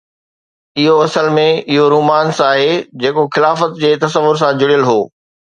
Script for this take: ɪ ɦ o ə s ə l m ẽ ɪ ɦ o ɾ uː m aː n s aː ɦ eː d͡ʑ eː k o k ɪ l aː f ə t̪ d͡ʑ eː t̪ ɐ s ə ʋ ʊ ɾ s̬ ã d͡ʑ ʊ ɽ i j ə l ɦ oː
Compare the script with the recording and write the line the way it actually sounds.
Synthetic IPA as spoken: ɪ ɦ o ɐ s ə l m ẽ ɪ ɦ o ɾ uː m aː n s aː ɦ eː d͡ʑ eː k o x ɪ l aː f ə t̪ d͡ʑ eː t̪ ɐ s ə ʋ ʊ ɾ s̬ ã d͡ʑ ʊ ɽ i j ə l ɦ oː